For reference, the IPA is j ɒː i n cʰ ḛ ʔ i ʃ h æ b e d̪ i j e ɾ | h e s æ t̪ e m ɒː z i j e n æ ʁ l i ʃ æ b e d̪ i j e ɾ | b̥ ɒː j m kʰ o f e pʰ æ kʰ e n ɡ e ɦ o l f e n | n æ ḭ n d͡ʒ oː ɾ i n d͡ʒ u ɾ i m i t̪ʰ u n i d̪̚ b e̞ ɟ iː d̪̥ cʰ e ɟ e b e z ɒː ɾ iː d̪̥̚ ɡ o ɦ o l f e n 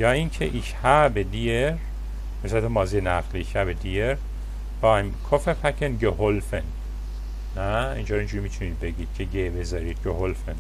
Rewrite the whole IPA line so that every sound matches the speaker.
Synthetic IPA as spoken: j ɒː i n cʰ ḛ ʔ i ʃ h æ b e d̪ i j e ɾ | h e s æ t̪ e m ɒː z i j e n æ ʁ l i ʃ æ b e d̪ i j e ɾ | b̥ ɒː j m kʰ o f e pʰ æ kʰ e n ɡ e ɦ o l f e n | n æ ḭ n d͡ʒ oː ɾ i n d͡ʒ u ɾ i m i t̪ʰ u n i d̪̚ b e̞ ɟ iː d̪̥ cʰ e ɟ e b e z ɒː ɾ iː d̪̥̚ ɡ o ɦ o l f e n

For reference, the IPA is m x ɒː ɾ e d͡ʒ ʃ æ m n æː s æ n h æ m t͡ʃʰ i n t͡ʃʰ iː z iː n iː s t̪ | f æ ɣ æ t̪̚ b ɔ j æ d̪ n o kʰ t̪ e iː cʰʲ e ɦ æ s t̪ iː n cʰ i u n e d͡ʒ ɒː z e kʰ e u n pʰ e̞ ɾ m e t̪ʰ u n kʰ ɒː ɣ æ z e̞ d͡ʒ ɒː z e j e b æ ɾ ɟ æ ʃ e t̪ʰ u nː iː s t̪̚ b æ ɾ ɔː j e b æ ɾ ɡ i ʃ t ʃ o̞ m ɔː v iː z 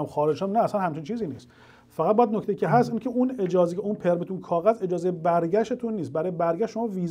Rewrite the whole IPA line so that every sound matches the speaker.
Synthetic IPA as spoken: m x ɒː ɾ e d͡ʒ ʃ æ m n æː s æ n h æ m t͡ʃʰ i n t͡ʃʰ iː z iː n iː s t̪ | f æ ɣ æ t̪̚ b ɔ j æ d̪ n o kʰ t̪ e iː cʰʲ e ɦ æ s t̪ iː n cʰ e u n e d͡ʒ ɒː z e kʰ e u n pʰ e̞ ɾ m e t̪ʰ u n kʰ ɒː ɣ æ z e̞ d͡ʒ ɒː z e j e b æ ɾ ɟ æ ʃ e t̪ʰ u nː iː s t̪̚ b æ ɾ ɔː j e b æ ɾ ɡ æ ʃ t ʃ o̞ m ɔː v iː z

